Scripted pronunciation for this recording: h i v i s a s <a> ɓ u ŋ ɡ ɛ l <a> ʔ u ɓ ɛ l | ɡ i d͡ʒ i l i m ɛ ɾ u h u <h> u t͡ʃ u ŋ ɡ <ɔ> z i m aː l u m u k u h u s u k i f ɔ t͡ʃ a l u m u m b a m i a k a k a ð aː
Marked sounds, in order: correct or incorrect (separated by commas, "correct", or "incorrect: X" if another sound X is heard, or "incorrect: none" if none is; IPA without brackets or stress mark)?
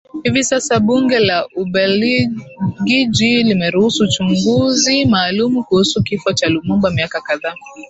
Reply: correct, correct, incorrect: s, incorrect: u